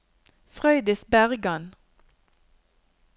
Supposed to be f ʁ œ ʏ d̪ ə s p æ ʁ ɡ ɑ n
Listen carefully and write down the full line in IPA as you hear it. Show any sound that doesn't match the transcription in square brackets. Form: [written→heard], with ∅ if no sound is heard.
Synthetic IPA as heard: f ʁ œ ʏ d̪ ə s [p→b] æ ʁ ɡ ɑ n